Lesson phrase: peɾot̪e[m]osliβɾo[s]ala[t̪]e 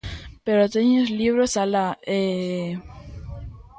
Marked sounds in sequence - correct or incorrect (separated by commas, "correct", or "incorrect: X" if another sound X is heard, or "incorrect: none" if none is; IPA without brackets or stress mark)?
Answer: incorrect: ɲ, correct, incorrect: none